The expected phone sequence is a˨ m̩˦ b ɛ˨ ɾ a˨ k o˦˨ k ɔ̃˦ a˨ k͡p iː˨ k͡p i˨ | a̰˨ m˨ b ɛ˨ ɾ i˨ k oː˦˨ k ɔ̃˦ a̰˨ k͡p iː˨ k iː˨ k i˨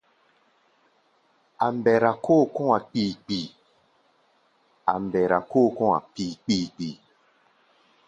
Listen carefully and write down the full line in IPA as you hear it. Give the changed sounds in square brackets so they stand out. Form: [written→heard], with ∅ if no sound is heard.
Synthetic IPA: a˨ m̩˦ b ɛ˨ ɾ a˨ k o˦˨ k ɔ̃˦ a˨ k͡p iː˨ k͡p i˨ | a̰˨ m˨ b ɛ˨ ɾ [i˨→a˨] k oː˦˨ k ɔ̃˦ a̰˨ k͡p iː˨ [k→k͡p] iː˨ [k→k͡p] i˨